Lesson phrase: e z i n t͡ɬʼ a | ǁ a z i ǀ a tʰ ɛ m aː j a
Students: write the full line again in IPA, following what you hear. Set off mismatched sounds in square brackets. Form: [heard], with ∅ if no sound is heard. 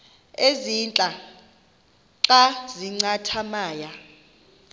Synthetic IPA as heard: e z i n t͡ɬʼ a | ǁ a z i [ŋ͡ǀ] a tʰ [a] m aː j a